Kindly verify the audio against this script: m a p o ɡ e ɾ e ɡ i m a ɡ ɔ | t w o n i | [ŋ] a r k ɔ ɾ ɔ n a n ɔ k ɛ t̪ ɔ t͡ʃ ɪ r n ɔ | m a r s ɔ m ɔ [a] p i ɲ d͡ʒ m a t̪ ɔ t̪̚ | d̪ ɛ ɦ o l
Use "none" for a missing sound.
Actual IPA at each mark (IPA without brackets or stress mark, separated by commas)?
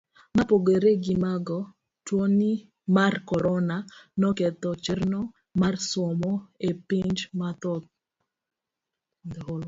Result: m, e